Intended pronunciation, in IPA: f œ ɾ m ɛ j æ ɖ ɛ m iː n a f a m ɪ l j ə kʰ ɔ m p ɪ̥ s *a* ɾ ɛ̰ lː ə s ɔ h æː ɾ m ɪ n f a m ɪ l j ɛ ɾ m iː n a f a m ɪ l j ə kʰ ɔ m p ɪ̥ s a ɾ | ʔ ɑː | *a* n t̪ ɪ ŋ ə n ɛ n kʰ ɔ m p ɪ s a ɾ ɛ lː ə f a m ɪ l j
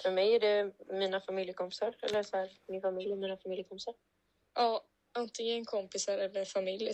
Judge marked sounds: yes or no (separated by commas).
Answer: yes, yes